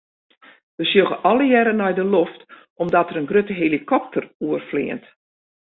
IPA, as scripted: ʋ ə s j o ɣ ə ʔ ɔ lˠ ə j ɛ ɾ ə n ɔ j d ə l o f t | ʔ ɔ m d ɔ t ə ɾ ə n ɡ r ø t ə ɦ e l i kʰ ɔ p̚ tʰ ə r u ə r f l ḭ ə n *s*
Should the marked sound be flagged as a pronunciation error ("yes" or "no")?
yes